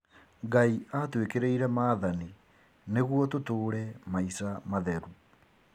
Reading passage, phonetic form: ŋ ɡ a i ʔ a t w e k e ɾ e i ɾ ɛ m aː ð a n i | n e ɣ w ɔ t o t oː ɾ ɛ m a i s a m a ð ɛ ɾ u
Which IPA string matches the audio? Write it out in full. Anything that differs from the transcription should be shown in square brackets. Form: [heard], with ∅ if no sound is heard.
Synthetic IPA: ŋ ɡ a i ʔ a t w e k e ɾ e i ɾ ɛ m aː ð a n i | n e ɣ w ɔ t o t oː ɾ ɛ m a i s a m a ð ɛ ɾ u